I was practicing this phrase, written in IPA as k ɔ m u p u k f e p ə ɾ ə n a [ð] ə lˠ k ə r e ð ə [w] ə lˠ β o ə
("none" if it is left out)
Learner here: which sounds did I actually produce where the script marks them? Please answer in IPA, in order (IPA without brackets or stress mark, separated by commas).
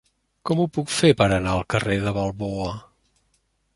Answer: none, β